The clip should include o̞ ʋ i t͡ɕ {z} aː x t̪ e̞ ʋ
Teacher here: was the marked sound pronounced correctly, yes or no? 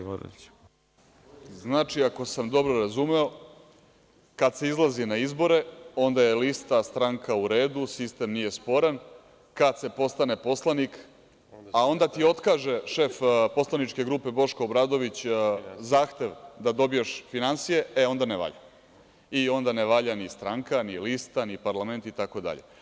yes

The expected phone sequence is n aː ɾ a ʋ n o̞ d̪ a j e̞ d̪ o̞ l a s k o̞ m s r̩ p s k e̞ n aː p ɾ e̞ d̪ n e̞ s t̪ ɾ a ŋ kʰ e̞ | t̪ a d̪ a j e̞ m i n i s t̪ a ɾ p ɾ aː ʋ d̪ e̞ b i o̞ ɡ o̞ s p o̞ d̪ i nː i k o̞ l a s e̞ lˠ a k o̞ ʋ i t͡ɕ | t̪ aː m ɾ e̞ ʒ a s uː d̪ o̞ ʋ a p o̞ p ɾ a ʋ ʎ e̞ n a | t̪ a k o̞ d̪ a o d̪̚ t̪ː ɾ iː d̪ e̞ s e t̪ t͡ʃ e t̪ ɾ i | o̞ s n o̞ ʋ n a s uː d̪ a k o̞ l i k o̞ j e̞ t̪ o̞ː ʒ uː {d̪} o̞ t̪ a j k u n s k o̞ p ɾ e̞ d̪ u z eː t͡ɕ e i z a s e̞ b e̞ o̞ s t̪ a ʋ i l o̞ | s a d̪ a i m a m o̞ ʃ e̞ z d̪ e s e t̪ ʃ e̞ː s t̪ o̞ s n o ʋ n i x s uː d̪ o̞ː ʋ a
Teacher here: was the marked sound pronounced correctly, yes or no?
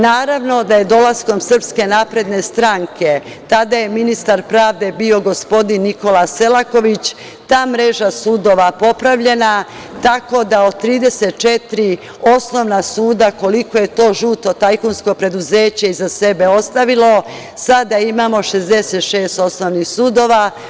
no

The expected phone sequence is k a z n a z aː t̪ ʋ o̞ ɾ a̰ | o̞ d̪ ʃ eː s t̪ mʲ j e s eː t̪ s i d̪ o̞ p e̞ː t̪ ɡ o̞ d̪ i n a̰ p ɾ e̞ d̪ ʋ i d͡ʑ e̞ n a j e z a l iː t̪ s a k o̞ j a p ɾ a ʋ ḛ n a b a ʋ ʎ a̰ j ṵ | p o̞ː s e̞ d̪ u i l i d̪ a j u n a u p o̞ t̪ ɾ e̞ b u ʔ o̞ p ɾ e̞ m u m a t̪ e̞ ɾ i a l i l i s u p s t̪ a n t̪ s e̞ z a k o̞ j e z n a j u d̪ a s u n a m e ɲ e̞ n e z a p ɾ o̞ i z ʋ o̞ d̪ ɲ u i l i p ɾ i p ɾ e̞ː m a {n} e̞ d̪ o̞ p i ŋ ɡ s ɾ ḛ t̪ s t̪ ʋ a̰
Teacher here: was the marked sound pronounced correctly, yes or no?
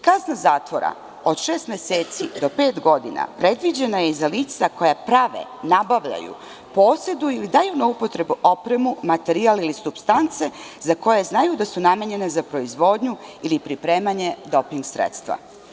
no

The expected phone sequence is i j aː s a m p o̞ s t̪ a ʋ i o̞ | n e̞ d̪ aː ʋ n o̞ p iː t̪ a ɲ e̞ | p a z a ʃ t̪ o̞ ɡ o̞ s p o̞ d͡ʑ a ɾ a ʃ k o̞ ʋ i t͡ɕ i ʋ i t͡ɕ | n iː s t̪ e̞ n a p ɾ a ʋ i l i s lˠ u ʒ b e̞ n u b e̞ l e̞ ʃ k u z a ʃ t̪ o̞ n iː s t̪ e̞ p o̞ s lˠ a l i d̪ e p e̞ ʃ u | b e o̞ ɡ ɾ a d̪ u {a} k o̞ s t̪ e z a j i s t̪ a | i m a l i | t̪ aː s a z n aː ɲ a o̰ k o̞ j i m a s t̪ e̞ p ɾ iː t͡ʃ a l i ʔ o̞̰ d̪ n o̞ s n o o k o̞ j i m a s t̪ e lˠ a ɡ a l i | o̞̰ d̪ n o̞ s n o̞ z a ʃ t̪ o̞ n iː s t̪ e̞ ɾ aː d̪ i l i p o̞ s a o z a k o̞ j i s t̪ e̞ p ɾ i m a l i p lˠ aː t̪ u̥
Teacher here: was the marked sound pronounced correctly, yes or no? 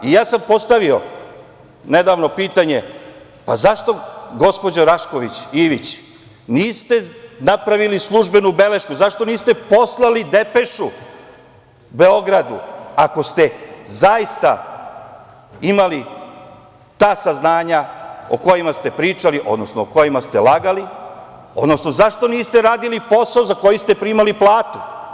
yes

